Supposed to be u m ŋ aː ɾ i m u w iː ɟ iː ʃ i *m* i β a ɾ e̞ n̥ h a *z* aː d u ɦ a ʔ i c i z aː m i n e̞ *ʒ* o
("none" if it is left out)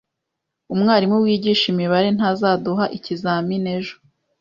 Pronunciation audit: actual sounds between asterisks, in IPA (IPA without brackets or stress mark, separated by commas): m, z, ʒ